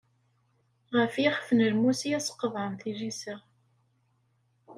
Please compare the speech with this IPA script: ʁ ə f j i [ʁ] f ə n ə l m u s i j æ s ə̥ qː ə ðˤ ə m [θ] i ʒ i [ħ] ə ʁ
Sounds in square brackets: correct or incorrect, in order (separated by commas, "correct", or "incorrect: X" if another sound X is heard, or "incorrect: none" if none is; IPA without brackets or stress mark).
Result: incorrect: χ, correct, incorrect: s